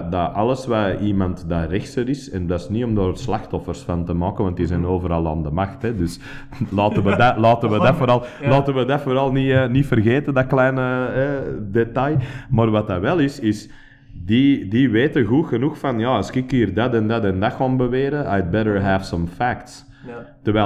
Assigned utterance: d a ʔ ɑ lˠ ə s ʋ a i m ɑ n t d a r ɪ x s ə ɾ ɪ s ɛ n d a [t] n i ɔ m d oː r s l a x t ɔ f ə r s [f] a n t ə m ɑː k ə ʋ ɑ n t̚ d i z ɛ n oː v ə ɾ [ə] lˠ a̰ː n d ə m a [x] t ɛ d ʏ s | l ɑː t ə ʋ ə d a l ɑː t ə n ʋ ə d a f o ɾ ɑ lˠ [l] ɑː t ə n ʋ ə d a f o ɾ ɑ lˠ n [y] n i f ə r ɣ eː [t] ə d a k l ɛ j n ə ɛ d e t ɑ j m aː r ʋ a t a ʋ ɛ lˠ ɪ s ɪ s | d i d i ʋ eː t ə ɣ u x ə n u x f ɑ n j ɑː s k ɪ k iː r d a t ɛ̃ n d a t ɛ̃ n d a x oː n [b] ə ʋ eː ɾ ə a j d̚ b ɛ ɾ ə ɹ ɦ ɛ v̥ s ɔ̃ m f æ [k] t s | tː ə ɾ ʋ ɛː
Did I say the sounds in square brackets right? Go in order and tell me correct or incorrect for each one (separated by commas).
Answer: incorrect, correct, incorrect, correct, correct, incorrect, correct, correct, correct